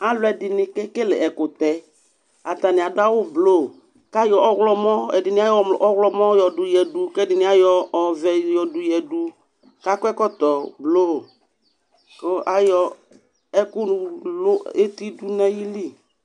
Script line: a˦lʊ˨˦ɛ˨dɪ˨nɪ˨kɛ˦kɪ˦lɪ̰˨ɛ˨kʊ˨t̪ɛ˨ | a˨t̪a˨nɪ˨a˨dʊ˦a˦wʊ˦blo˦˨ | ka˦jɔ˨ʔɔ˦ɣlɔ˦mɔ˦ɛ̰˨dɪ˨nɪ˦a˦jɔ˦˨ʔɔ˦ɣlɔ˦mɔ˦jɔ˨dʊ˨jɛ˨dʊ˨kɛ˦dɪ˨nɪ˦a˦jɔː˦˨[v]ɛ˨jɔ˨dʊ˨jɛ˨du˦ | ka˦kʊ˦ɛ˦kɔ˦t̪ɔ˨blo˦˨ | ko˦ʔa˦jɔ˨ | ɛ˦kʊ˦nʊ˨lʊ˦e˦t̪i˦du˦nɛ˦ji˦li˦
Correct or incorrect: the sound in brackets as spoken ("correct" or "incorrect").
correct